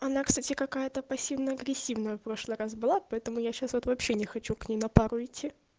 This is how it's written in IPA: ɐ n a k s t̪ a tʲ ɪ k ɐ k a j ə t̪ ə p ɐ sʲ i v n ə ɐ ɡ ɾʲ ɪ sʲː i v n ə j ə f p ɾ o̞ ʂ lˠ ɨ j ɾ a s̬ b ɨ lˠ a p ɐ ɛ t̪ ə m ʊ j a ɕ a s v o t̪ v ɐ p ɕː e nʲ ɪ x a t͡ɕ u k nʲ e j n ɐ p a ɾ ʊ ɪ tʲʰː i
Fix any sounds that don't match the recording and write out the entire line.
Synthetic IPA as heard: ɐ n a k s t̪ a tʲ ɪ k ɐ k a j ə t̪ ə p ɐ sʲ i v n ə ɐ ɡ ɾʲ ɪ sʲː i v n ə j ə f p ɾ o̞ ʂ lˠ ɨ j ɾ a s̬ b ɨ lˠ a p ɐ ɛ t̪ ə m ʊ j a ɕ a s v o t̪ v ɐ p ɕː e nʲ ɪ x ɐ t͡ɕ u k nʲ e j n ɐ p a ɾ ʊ ɪ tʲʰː i